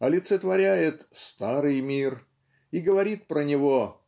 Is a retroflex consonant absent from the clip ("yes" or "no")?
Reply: yes